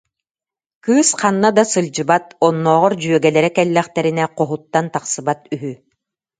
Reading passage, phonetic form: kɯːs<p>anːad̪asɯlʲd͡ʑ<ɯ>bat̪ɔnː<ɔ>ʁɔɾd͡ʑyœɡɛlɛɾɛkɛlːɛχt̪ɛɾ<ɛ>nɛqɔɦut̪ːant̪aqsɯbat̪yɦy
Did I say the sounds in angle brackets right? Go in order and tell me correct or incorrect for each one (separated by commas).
incorrect, correct, incorrect, incorrect